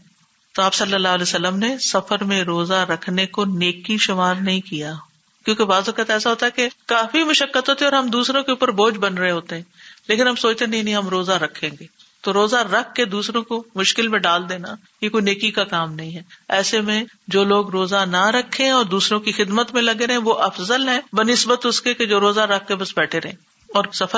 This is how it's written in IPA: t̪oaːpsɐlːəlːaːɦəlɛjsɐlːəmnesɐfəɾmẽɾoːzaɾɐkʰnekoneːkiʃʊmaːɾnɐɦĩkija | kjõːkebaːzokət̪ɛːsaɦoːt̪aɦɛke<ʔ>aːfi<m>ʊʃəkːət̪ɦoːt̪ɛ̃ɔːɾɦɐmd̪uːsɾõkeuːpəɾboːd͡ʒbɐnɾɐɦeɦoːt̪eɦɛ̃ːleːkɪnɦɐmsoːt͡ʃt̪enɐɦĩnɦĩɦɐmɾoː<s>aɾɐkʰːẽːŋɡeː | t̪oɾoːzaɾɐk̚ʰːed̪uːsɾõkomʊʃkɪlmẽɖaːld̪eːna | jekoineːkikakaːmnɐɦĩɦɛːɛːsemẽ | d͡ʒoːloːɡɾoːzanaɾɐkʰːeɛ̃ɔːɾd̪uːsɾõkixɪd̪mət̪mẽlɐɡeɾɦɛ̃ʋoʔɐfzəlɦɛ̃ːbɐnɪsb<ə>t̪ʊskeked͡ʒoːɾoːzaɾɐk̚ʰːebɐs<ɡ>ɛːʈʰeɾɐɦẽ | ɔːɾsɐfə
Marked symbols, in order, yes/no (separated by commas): no, yes, no, yes, no